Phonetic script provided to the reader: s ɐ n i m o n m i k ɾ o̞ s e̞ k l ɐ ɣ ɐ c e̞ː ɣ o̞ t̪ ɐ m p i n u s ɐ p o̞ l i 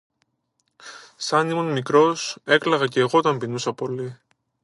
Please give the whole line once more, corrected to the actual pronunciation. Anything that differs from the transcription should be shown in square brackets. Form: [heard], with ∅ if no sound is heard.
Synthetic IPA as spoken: s ɐ n i m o n m i k ɾ o̞ s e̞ k l ɐ ɣ ɐ c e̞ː ɣ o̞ t̪ ɐ m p i n u s ɐ p o̞ l i